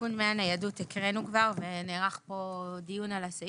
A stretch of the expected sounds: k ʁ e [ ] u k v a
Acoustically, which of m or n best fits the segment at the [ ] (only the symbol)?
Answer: n